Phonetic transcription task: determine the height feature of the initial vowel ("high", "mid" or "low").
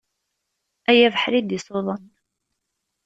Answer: low